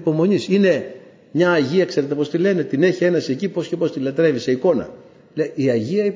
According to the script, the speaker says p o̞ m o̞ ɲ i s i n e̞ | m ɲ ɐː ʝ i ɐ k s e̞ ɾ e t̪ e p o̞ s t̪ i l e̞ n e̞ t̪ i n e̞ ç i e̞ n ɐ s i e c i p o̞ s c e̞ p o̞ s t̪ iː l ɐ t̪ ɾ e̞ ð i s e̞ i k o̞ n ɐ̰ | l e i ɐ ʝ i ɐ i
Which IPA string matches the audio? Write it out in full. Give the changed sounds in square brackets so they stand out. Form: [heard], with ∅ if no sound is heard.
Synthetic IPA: p o̞ m o̞ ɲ i s i n e̞ | m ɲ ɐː ʝ i ɐ k s e̞ ɾ e t̪ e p o̞ s t̪ i l e̞ n e̞ t̪ i n e̞ ç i e̞ n ɐ s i e c i p o̞ s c e̞ p o̞ s t̪ [i] l ɐ t̪ ɾ e̞ [v] i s e̞ i k o̞ n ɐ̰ | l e i ɐ ʝ i ɐ i